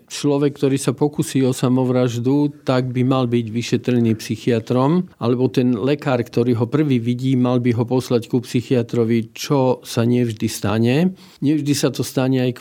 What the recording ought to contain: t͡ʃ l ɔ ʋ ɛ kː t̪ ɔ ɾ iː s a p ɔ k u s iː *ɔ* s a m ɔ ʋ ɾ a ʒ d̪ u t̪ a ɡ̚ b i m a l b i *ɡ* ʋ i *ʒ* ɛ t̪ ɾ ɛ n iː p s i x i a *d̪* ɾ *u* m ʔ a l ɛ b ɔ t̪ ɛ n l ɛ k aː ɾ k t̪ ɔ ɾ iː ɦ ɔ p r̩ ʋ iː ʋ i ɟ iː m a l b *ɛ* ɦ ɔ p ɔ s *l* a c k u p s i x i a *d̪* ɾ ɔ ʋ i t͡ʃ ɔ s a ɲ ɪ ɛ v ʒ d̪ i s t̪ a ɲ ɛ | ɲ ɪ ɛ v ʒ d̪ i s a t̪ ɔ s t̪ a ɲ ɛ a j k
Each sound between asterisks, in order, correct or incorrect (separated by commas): correct, incorrect, incorrect, incorrect, incorrect, incorrect, correct, incorrect